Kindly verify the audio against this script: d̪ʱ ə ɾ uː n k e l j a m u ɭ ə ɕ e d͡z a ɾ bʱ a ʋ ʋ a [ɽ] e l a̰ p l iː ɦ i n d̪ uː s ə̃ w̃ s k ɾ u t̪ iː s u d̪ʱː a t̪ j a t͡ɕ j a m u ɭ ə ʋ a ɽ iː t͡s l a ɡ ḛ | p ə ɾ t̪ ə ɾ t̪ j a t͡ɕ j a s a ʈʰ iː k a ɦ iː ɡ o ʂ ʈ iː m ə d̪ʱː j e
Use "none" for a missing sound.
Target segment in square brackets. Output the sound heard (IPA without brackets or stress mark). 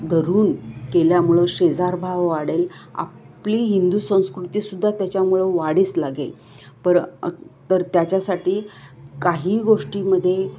ɽ